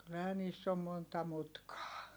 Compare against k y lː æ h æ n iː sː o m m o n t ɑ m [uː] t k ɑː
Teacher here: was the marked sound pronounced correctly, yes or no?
no